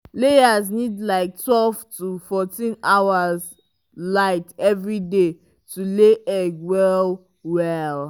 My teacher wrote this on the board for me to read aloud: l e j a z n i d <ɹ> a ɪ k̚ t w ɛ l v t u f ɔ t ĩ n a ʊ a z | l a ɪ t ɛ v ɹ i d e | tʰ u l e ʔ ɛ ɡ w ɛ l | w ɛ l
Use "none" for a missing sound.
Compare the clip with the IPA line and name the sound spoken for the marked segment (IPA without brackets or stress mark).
l